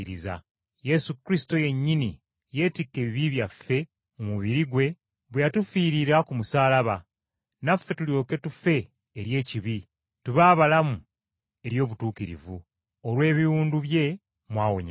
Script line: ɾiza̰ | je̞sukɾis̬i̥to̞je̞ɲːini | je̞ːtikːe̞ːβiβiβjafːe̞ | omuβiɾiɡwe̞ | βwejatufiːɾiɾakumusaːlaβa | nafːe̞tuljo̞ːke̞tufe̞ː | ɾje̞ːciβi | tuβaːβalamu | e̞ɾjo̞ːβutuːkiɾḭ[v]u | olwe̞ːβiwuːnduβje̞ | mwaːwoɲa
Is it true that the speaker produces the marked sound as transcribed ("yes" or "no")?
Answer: yes